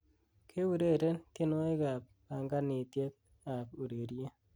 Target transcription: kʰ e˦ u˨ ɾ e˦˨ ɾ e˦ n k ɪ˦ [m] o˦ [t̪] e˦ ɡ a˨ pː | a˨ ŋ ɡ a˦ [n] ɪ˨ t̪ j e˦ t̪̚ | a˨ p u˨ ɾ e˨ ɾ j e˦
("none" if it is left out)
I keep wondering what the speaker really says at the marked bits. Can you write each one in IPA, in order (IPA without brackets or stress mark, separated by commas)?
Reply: n, none, n